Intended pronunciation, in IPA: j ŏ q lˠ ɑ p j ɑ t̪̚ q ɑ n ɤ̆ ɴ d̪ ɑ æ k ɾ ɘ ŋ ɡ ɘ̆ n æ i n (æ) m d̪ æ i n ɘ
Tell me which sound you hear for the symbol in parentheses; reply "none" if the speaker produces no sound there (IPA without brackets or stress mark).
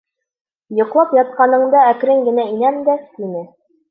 æ